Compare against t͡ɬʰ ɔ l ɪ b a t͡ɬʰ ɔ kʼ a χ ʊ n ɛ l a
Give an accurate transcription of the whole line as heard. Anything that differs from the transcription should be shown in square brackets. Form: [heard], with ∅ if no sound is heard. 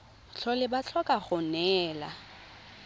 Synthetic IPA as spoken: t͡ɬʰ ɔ l ɪ b a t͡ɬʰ ɔ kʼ a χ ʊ n [ɛː] l a